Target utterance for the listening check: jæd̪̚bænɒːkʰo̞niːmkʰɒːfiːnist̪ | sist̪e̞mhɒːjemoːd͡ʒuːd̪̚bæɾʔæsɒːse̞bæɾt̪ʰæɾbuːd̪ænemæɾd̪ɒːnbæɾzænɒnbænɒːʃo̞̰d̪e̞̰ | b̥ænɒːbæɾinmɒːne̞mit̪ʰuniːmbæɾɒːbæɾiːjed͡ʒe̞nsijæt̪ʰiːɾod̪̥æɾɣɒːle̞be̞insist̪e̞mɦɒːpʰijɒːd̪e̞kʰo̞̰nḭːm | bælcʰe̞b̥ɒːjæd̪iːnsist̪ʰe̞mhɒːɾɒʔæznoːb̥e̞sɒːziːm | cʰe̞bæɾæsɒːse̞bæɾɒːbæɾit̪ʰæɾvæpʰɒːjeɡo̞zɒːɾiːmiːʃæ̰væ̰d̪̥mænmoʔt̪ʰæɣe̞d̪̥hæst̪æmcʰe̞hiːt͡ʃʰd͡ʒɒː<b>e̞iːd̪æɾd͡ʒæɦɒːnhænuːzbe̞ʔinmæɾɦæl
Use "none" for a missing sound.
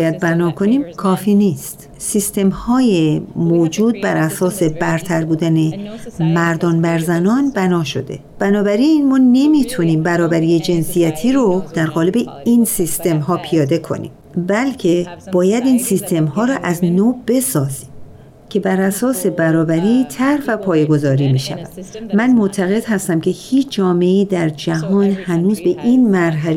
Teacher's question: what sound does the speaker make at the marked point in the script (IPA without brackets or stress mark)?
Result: m